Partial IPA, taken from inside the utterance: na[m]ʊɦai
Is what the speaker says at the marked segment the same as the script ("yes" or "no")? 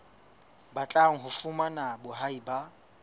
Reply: no